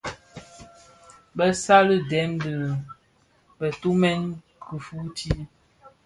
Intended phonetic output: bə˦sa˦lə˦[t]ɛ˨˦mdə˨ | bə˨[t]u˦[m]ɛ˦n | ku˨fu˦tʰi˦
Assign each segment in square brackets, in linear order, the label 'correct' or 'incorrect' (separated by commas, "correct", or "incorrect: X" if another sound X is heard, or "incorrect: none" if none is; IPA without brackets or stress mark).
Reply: incorrect: d, correct, correct